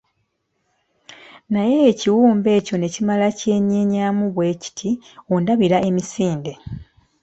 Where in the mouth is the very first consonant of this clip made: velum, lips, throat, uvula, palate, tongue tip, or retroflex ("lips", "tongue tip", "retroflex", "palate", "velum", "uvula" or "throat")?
tongue tip